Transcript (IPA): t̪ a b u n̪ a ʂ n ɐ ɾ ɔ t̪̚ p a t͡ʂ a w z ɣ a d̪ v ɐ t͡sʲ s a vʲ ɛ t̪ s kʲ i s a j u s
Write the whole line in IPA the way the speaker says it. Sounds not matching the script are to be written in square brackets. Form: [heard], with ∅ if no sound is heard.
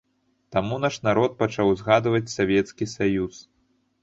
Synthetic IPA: t̪ a [m] u n̪ a ʂ n [a] ɾ ɔ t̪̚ p a t͡ʂ a w z ɣ a d̪ v ɐ t͡sʲ s a vʲ ɛ t̪ s kʲ i s a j u s